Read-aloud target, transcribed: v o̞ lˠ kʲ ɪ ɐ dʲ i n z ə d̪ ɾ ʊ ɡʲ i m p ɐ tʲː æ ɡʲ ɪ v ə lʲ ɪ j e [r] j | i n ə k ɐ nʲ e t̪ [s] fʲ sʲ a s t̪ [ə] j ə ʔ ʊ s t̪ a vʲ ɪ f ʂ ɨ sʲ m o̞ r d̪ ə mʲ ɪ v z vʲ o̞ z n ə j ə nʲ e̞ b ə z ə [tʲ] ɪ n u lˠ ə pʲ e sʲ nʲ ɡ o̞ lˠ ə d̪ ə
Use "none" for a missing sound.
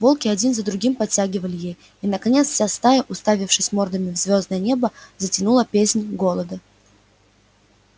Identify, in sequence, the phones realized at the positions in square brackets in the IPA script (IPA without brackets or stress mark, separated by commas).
none, s, a, tʲ